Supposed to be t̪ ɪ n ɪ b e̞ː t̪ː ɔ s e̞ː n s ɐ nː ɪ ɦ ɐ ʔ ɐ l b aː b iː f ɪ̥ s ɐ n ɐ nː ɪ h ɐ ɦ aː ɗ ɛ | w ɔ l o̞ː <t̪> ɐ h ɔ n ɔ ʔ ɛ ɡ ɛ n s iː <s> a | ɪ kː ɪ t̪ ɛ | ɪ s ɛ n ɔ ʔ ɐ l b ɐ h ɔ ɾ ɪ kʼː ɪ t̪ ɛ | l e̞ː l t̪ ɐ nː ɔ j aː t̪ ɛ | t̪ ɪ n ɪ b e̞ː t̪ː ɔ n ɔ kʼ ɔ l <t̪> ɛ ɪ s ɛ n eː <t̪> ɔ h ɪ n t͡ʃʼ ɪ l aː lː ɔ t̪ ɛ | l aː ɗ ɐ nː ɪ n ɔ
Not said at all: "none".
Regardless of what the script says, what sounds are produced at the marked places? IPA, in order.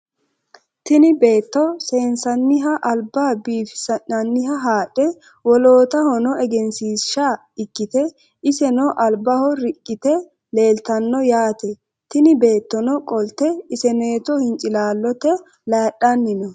t̪, ʃ, t̪, t̪

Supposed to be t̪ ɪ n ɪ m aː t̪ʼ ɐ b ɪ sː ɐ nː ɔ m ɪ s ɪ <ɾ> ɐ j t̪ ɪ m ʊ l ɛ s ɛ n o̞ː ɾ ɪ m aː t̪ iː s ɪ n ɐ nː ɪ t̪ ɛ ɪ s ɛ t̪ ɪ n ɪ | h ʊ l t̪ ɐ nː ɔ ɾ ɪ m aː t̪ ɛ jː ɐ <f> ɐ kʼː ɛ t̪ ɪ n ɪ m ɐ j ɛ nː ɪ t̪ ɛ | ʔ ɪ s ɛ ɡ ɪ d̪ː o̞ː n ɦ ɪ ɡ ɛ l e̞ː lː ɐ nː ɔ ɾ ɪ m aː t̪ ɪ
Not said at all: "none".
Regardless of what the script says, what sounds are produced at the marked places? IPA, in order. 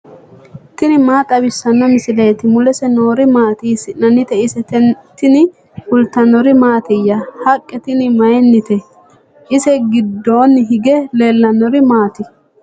l, h

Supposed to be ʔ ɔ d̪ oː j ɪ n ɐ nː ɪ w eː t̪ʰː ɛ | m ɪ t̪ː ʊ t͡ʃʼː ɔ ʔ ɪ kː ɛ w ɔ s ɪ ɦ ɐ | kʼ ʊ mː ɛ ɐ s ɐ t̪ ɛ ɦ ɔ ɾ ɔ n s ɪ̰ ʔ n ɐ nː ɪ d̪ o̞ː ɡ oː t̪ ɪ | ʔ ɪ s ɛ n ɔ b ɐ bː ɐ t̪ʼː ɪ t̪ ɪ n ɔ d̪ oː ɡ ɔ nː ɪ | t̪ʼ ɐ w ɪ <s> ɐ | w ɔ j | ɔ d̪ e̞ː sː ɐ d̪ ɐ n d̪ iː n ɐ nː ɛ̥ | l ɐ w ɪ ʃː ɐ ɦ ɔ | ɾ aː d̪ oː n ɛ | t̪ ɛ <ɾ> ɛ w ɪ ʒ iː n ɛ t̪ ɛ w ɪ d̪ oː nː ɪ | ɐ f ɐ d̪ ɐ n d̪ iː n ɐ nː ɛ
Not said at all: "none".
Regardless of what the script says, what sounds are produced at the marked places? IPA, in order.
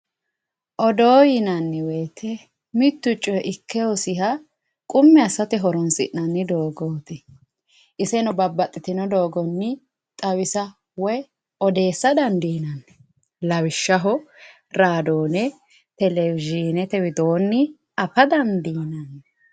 s, l

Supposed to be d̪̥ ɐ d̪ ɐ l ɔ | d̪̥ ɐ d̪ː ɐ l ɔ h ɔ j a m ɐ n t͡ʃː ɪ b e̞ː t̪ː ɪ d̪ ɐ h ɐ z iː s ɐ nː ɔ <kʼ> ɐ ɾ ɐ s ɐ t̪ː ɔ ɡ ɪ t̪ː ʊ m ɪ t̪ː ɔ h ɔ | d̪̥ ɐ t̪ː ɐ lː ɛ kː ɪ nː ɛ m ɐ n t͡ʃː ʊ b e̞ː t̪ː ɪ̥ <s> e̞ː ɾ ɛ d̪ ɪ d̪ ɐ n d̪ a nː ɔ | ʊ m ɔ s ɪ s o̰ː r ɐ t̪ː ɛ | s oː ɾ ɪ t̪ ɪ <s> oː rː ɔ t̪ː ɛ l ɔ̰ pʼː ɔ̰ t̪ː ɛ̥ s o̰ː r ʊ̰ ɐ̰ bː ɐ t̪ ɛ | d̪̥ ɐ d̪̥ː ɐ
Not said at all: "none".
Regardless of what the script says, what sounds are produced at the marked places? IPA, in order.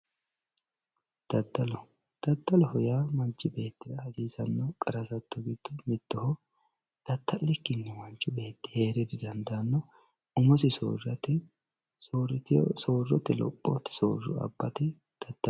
kʼ, h, s

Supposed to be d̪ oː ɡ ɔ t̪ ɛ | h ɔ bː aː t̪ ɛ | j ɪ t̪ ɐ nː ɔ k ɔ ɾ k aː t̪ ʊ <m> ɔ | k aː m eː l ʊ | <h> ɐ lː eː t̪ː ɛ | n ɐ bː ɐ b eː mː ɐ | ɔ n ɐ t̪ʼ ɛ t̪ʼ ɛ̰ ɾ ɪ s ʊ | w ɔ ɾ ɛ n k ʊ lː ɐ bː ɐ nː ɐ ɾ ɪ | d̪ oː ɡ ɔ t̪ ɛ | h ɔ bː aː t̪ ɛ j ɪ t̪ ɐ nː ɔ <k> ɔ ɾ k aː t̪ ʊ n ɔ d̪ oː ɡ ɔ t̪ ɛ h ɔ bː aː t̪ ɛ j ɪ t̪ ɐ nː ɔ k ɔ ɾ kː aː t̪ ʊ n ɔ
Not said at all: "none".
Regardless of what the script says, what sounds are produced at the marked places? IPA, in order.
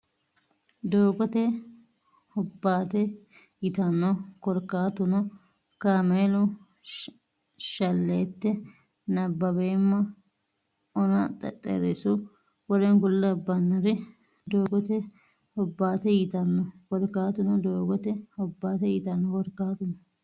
n, ʃ, k

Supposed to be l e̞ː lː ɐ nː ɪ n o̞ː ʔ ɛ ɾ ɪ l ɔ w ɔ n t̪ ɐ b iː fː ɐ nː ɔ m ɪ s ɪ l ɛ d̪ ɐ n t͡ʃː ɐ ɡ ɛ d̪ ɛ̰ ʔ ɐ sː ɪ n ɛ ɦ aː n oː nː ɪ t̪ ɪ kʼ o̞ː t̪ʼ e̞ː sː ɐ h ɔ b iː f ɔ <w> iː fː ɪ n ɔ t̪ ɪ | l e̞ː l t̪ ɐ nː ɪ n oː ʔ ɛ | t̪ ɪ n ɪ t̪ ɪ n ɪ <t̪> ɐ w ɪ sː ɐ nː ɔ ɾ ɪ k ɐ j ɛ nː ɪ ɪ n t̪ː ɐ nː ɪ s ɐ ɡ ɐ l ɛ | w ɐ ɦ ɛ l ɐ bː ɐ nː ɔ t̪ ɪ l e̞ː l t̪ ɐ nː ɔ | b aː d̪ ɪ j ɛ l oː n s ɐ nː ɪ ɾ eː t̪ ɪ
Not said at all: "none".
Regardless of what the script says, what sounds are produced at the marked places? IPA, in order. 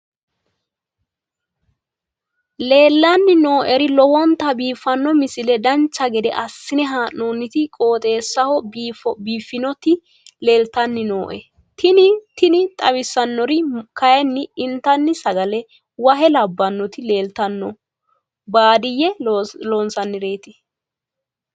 b, t̪ʼ

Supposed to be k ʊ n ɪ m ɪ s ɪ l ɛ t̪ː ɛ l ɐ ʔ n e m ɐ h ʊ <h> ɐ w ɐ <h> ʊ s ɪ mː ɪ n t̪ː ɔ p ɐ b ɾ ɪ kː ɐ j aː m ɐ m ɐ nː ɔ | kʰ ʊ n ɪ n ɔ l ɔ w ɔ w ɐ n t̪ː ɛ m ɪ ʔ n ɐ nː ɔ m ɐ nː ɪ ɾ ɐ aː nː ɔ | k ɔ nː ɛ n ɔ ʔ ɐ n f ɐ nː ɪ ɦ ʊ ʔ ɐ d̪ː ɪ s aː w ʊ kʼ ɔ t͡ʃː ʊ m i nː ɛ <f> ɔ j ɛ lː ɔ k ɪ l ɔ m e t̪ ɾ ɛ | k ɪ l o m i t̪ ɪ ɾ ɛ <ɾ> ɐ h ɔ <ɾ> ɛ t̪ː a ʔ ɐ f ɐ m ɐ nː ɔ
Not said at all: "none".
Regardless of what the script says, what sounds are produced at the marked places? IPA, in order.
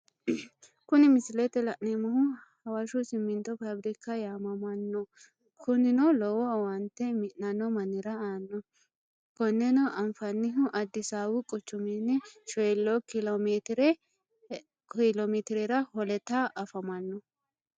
h, ʃ, ʃ, ɾ, l

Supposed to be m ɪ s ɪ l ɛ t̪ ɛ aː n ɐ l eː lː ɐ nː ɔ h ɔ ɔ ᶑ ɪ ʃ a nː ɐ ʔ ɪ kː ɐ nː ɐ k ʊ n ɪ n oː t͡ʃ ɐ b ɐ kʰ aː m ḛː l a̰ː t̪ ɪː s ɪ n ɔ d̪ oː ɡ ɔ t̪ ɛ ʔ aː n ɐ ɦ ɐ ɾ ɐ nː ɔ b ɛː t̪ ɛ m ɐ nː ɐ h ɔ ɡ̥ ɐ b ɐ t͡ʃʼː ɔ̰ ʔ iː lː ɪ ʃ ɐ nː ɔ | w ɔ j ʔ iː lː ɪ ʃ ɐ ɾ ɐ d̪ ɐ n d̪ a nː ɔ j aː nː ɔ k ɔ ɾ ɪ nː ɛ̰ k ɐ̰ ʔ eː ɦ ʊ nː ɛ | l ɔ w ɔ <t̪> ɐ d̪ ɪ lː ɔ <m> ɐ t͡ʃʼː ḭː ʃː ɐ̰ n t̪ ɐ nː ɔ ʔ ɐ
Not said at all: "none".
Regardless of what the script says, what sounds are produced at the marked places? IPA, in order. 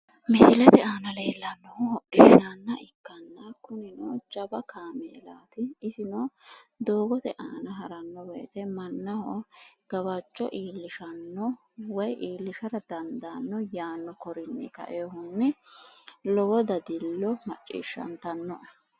d̪, m

